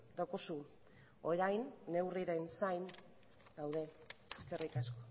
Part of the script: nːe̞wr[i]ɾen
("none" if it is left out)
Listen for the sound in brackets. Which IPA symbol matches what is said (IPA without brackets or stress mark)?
i